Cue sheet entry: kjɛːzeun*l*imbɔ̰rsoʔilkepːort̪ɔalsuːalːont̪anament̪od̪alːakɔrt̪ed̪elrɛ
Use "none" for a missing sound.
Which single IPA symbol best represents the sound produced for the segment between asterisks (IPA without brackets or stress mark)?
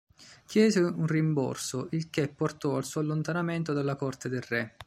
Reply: r